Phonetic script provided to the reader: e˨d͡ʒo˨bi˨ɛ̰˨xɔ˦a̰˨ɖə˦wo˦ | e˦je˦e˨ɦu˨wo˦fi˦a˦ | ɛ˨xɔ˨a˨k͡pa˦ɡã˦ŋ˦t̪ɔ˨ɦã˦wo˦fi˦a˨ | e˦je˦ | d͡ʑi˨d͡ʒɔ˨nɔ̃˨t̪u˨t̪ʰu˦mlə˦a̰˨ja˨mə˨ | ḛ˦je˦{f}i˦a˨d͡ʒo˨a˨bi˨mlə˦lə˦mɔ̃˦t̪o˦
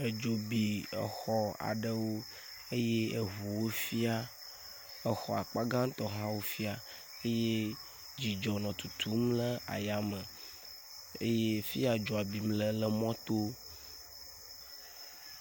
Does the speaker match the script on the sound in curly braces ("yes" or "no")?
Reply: yes